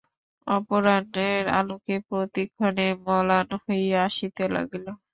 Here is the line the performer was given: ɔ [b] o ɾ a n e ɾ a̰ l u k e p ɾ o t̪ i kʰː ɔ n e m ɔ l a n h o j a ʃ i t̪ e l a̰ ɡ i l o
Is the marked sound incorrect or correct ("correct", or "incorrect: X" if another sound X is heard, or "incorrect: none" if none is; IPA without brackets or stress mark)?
incorrect: p